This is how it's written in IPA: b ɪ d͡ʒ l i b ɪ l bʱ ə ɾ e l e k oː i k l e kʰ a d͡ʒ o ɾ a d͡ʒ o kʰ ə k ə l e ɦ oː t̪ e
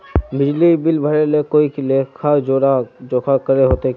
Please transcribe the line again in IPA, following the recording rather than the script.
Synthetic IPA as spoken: b ɪ d͡ʒ l i b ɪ l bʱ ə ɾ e l e k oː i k l e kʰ a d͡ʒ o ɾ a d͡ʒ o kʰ a k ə ɾ e ɦ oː t̪ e